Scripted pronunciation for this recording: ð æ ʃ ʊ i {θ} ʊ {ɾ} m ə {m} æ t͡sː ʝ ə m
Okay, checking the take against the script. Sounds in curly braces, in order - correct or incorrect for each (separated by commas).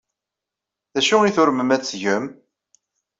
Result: correct, correct, correct